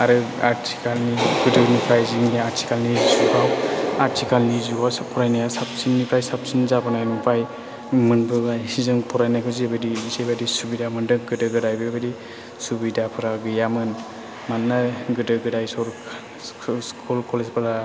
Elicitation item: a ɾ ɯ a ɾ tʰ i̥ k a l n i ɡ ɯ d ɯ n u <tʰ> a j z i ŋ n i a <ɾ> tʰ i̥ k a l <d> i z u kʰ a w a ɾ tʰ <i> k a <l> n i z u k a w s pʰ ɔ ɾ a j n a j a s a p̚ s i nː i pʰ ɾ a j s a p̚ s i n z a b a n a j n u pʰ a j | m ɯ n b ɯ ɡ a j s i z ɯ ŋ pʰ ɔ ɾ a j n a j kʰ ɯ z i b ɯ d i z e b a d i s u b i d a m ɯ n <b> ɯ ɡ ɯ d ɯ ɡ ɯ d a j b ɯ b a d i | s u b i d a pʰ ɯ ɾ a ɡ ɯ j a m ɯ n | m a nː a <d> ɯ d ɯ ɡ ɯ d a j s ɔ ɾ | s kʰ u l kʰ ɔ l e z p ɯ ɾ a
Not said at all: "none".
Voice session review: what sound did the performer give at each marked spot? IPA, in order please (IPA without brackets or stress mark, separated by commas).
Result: pʰ, ɾ, n, i, l, d, ɡ